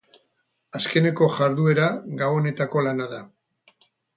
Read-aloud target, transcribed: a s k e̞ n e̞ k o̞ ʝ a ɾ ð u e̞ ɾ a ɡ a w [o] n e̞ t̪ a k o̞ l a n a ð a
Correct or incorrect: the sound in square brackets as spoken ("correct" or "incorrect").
correct